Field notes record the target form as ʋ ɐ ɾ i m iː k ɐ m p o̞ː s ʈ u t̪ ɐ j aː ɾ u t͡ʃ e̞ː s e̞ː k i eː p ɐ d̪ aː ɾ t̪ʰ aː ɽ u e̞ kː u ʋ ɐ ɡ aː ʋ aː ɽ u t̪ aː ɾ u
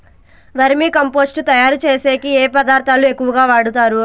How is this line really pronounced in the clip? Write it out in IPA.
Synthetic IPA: ʋ ɐ ɾ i m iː k ɐ m p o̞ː s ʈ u t̪ ɐ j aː ɾ u t͡ʃ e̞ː s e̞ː k i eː p ɐ d̪ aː ɾ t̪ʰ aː l u e̞ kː u ʋ ɐ ɡ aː ʋ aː ɽ u t̪ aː ɾ u